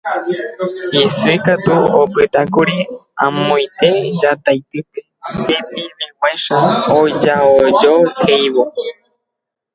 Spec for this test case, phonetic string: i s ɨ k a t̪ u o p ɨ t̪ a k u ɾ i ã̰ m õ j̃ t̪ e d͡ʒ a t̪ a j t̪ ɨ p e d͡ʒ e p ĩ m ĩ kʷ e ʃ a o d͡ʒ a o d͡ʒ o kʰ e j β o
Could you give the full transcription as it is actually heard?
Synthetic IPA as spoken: i s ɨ k a t̪ u o p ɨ t̪ a k u ɾ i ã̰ m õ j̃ t̪ e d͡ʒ a t̪ a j t̪ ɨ p e d͡ʒ e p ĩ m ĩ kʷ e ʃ a o d͡ʒ a o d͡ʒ o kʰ e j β o